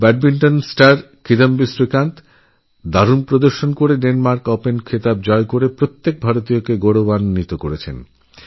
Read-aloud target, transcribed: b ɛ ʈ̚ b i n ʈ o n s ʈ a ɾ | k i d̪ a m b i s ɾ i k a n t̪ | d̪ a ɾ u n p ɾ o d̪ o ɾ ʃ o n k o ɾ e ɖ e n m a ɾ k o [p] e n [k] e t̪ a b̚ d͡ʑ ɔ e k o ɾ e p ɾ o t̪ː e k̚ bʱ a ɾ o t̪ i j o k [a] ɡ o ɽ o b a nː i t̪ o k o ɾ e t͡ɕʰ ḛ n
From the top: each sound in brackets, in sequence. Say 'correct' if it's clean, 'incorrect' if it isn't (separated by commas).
correct, incorrect, incorrect